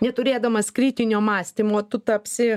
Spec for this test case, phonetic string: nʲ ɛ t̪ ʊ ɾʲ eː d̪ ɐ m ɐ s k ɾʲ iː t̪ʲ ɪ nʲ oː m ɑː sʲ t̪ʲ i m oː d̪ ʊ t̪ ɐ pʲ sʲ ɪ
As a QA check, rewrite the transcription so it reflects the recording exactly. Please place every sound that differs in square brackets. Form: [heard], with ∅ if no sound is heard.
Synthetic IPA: nʲ ɛ t̪ ʊ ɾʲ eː d̪ ɐ m ɐ s k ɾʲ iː t̪ʲ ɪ nʲ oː m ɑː sʲ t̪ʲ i m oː [t̪] ʊ t̪ ɐ pʲ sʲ ɪ